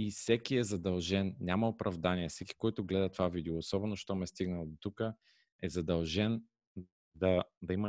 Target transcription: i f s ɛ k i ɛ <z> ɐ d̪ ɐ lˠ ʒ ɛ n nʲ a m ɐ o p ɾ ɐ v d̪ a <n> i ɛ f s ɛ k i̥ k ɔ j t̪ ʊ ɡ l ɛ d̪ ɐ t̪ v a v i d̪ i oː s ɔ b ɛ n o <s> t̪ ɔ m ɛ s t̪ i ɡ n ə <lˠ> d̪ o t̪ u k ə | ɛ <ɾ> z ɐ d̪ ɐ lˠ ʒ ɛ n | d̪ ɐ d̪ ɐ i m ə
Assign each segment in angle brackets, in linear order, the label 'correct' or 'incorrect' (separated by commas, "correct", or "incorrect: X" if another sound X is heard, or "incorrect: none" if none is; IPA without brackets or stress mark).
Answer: correct, correct, incorrect: ʃ, correct, incorrect: none